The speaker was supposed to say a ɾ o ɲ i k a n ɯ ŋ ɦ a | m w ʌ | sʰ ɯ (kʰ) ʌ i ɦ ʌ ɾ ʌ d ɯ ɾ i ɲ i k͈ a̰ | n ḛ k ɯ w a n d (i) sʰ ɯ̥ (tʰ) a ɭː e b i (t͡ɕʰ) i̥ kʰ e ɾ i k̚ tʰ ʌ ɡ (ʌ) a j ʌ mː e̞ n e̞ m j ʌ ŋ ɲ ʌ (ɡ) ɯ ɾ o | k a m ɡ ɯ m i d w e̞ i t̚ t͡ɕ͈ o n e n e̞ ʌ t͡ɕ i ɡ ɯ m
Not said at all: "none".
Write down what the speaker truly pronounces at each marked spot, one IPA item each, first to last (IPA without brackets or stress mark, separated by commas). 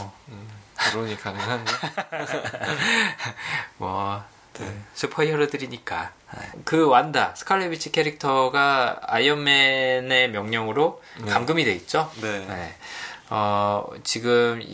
pʰ, a, kʰ, t͡ɕʰ, a, ŋ